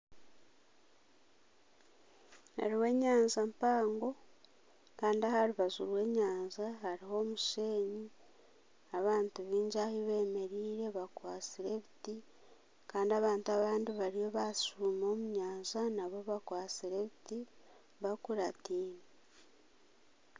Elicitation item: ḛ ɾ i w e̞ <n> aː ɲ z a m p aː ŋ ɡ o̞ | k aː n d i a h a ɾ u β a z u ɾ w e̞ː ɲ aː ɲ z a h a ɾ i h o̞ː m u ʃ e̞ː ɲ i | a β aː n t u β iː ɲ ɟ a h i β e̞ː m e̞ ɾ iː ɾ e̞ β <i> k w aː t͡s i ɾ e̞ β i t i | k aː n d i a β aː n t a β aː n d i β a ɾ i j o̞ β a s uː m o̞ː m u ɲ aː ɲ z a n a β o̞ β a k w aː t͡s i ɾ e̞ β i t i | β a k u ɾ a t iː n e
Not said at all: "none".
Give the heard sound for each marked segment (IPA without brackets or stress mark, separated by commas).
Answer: ɲ, a